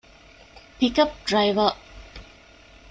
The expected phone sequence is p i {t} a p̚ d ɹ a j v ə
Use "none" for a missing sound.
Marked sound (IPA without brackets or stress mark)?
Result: k